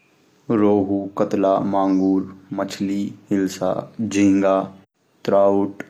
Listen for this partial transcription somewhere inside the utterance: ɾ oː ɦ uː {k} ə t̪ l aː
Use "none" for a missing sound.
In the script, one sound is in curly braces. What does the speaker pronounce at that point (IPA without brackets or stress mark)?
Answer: k